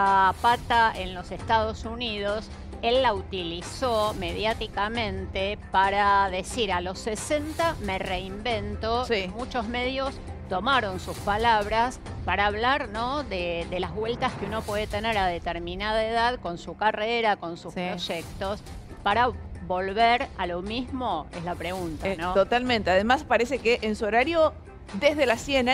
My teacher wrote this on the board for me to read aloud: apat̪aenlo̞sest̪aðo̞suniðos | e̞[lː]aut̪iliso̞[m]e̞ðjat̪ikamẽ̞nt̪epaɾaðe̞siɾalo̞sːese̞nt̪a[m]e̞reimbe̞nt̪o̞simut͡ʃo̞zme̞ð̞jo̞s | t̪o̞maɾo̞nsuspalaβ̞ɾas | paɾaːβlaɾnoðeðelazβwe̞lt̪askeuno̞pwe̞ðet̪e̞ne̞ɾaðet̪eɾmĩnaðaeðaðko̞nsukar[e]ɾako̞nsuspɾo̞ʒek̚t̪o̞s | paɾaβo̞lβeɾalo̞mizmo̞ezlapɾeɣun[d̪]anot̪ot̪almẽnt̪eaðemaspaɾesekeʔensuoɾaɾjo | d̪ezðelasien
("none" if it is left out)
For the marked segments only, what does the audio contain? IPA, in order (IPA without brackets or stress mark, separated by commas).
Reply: lː, m, m, e, t̪